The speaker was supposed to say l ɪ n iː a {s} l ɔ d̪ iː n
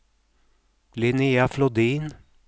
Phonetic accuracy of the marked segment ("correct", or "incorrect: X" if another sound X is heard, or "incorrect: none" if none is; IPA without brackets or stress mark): incorrect: f